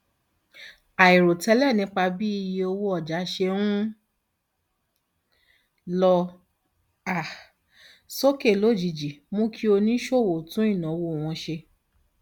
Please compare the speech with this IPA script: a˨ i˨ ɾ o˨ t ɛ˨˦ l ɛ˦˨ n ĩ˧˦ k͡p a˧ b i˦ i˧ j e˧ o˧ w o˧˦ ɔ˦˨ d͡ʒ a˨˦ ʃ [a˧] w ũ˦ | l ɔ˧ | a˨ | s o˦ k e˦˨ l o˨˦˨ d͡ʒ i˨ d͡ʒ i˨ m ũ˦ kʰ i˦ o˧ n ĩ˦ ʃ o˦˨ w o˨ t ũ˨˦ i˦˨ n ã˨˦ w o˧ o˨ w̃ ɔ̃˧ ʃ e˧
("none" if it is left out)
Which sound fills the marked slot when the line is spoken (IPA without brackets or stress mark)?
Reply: e˧